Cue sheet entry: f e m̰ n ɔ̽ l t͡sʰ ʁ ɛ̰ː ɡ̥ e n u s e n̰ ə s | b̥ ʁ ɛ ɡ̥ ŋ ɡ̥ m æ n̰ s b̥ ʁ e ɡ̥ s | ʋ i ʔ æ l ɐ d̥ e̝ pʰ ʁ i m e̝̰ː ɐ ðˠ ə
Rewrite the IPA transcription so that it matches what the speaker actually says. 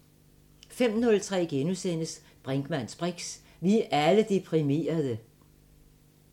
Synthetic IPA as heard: f e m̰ n ɔ̽ l t͡sʰ ʁ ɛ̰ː ɡ̥ e n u s e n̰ ə s | b̥ ʁ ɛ ŋ ɡ̥ m æ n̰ s b̥ ʁ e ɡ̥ s | ʋ i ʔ æ l ə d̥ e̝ pʰ ʁ i m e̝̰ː ɐ ðˠ ə